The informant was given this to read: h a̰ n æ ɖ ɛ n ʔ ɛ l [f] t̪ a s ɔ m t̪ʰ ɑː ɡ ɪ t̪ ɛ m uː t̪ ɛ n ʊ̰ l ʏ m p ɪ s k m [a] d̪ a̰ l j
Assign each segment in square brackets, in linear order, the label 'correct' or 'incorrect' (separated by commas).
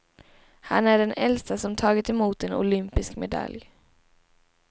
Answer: incorrect, incorrect